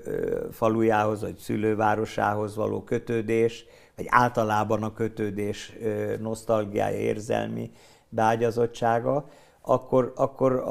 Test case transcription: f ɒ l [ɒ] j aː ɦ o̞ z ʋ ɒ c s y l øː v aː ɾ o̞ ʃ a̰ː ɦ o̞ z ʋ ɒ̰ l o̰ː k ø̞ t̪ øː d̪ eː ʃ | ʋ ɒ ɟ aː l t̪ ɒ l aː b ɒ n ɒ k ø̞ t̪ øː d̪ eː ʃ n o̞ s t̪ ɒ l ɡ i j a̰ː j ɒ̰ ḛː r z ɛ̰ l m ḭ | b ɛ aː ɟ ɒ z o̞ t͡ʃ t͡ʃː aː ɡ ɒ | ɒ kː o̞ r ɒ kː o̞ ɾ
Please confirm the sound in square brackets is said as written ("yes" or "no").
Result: no